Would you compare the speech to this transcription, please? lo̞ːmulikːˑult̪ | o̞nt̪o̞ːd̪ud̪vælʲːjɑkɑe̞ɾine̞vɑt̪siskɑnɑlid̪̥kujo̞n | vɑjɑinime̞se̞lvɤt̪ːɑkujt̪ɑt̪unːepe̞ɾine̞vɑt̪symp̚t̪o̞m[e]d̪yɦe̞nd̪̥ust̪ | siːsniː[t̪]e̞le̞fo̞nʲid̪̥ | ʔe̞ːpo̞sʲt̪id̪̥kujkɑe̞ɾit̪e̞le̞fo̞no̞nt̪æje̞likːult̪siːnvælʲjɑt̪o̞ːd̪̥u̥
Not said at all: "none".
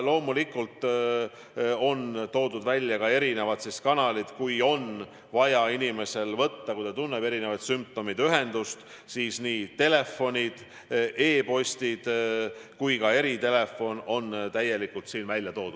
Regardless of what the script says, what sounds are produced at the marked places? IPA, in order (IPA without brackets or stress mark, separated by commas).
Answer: i, t̪